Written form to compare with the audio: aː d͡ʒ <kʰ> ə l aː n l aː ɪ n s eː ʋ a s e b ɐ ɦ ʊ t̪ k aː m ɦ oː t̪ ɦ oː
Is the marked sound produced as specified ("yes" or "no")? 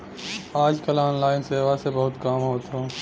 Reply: no